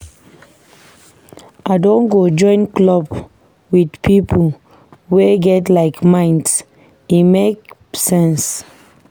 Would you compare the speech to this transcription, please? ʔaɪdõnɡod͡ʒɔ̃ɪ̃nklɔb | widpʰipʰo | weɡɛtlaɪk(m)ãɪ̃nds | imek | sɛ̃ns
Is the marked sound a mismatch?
no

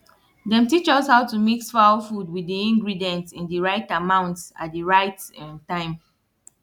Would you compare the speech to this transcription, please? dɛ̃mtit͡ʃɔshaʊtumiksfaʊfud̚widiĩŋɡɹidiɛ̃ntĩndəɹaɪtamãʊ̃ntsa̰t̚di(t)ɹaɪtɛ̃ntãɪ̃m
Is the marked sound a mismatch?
yes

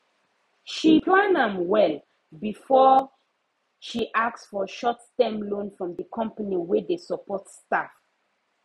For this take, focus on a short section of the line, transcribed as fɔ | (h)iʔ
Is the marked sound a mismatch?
yes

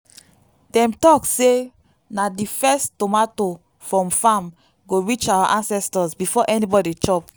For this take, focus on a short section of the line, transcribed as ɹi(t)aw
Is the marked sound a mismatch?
yes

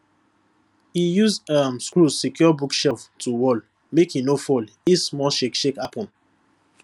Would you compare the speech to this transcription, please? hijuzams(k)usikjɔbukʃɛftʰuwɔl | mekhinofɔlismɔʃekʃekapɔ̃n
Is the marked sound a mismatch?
no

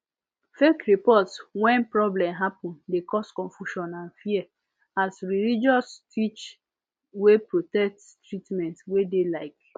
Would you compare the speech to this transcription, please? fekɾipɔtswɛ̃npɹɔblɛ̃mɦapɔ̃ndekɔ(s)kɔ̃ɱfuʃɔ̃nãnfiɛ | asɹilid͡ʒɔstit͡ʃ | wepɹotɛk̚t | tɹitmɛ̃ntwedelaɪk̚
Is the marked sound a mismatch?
no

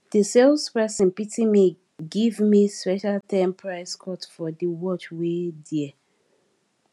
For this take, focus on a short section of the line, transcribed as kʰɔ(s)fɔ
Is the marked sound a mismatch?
yes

